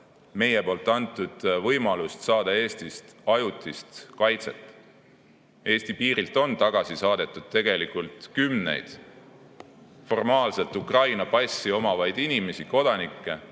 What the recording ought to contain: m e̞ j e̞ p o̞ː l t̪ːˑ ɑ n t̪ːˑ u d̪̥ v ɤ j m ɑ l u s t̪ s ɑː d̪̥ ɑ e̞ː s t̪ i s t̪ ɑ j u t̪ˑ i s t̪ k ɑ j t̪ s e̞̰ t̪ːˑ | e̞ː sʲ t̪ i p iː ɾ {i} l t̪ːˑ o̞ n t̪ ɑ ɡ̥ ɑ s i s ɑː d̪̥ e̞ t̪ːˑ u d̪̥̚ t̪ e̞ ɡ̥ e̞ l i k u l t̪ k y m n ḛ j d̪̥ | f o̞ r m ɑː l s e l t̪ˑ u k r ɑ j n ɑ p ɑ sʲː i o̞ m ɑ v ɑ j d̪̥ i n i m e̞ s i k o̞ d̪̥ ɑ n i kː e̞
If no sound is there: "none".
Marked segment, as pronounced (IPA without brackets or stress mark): i